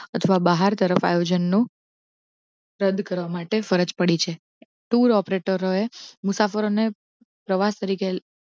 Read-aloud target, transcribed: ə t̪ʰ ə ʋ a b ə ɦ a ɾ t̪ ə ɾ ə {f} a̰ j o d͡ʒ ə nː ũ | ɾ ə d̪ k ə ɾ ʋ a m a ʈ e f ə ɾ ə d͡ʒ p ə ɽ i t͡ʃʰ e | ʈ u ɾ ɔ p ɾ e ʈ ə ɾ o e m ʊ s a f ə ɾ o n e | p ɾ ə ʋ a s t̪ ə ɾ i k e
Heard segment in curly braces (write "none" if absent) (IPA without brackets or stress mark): f